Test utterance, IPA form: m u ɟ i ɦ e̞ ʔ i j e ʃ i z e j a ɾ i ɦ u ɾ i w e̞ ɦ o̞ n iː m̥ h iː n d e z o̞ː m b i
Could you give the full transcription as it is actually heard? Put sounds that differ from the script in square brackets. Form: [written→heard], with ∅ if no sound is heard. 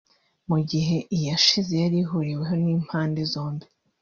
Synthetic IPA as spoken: m u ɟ i ɦ e̞ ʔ i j [e→a] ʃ i z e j a ɾ i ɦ u ɾ i w e̞ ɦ o̞ n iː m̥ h [iː→aː] n d e z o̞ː m b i